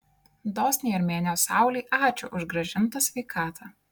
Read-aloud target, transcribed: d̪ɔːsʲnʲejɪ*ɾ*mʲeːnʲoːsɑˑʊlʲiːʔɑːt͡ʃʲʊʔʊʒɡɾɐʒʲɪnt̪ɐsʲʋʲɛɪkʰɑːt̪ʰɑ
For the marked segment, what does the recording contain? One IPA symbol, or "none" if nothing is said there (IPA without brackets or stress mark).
ɾ